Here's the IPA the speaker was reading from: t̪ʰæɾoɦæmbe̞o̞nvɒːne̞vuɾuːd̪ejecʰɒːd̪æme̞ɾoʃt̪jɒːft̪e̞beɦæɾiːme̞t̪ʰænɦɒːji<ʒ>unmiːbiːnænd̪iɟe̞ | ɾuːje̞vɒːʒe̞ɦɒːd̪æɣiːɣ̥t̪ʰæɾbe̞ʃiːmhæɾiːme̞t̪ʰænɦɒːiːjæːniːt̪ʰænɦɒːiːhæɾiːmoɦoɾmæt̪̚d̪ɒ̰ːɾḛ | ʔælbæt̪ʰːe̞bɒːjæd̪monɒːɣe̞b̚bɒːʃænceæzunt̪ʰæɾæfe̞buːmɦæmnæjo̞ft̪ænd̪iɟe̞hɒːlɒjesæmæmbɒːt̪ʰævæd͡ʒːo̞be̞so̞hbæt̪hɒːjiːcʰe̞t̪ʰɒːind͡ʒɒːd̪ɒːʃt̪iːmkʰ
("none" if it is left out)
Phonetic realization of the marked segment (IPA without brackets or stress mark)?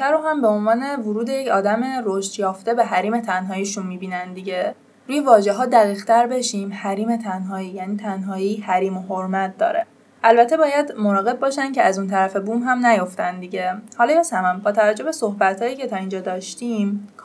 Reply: ʃ